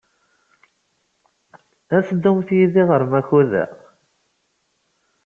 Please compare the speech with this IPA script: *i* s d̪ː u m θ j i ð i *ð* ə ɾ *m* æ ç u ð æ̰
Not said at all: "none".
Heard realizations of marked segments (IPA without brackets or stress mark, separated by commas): æ, ʁ, m